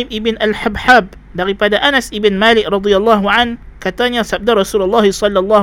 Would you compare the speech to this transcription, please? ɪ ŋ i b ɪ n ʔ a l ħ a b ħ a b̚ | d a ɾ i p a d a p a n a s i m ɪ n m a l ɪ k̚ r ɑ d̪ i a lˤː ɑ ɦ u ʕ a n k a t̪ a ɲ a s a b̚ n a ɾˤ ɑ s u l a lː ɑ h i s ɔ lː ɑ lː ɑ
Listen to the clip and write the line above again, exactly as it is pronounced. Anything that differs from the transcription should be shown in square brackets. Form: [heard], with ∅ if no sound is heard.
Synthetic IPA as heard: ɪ [m] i b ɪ n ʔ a l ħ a b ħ a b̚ | d a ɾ i p a d a [ʔ] a n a s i [b] ɪ n m a l ɪ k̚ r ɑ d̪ i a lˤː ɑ ɦ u ʕ a n k a t̪ a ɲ a s a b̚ [d] a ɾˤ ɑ s u l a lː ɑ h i s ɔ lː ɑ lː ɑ